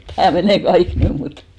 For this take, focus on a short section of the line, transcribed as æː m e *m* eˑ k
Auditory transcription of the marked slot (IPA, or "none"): n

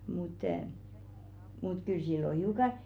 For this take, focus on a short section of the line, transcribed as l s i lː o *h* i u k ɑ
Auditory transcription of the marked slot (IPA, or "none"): h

